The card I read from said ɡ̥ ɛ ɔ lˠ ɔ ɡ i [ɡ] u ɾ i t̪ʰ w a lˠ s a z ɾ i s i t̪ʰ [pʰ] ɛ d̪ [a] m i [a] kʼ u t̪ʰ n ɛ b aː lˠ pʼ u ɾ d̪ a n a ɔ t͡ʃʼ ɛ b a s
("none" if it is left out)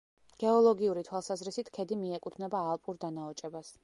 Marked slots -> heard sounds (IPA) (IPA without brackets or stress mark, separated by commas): none, kʰ, i, ɛ